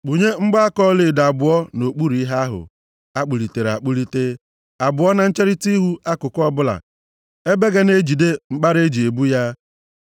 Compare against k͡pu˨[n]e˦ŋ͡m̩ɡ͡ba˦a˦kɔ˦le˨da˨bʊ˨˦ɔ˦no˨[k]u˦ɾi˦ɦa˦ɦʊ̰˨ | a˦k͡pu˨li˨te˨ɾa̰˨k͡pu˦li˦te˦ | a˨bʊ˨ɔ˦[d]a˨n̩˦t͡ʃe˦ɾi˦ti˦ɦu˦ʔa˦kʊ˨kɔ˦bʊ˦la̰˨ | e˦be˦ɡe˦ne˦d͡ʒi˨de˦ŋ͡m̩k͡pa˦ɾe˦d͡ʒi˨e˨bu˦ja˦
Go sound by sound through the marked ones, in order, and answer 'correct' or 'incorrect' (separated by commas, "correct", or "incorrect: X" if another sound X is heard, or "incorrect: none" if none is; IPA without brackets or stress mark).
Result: incorrect: ɲ, incorrect: k͡p, incorrect: n